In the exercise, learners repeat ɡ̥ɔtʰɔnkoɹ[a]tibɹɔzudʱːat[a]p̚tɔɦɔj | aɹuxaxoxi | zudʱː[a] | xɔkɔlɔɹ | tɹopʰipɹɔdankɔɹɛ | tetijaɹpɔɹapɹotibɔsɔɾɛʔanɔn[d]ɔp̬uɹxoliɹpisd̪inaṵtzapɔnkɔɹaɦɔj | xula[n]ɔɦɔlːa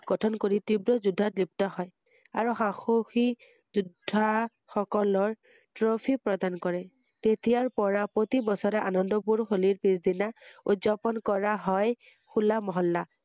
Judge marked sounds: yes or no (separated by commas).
no, no, yes, yes, no